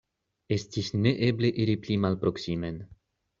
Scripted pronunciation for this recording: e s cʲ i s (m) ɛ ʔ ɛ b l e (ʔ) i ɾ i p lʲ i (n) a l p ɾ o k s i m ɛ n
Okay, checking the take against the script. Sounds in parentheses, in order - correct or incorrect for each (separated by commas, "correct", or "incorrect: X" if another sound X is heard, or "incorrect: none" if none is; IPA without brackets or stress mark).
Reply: incorrect: n, correct, incorrect: m